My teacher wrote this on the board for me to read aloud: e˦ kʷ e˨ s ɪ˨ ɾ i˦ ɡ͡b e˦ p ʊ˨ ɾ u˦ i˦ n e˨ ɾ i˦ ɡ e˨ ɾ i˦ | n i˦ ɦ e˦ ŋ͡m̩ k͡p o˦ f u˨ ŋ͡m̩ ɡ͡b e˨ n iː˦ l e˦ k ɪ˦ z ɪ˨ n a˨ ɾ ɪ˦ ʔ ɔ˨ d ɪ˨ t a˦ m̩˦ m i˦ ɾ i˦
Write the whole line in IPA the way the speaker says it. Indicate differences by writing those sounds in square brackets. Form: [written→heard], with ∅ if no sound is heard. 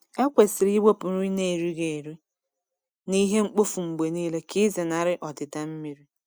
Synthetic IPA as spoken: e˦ kʷ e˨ s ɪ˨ ɾ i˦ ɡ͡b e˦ p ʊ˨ ɾ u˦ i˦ n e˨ ɾ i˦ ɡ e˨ ɾ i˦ | n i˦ ɦ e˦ ŋ͡m̩ k͡p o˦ f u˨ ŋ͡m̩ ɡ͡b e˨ n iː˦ l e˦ k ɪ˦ z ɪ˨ n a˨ ɾ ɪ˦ ʔ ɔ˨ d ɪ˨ t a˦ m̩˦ m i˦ ɾ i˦